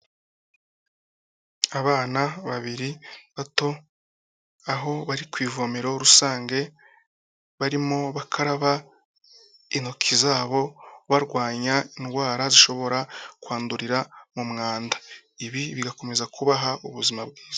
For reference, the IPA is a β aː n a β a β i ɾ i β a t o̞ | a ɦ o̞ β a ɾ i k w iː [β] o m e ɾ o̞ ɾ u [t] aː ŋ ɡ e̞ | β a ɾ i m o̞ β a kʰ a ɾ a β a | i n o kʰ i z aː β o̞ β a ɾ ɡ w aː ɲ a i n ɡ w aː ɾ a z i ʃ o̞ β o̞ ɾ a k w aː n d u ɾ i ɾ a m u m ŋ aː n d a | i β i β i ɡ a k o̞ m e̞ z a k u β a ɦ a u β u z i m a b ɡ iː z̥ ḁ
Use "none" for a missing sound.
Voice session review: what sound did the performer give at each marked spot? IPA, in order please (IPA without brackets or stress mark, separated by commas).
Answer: v, s